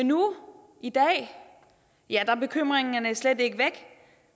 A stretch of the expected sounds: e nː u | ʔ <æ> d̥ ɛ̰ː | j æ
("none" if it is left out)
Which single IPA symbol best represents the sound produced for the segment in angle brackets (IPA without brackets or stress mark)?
i